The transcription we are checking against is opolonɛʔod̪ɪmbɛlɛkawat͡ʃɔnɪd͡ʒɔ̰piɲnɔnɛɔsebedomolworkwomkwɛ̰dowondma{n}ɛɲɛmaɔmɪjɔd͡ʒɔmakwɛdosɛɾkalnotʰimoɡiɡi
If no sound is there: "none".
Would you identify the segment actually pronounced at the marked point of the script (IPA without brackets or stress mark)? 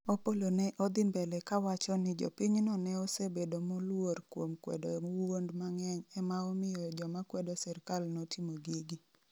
ŋ